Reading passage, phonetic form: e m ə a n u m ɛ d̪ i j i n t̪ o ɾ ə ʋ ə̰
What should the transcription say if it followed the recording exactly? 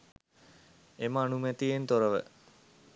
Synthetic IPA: e m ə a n u m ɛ t̪ i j e n t̪ o ɾ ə ʋ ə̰